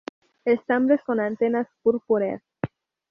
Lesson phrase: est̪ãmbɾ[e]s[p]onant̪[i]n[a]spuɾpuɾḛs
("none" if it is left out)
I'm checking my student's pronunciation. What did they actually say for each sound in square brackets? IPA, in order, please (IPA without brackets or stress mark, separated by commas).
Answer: e, k, e, a